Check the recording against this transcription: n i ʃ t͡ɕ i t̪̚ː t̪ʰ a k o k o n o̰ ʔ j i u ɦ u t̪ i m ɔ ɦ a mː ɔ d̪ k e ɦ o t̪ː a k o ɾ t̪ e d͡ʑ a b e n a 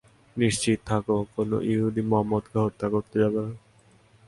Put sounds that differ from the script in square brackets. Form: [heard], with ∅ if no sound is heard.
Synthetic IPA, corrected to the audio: n i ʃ t͡ɕ i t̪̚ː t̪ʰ a k o k o n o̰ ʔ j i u ɦ u [d̪] i m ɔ ɦ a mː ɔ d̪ k e ɦ o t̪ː a k o ɾ t̪ e d͡ʑ a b e n a